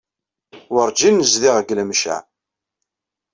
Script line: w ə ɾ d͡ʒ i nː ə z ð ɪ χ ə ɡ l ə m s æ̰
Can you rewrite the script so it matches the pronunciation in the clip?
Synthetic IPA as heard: w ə ɾ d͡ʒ i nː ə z ð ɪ ʁ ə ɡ l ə m ʃ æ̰